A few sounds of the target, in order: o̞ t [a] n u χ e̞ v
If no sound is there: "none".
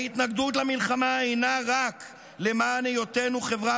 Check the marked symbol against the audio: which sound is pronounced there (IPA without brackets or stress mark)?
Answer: e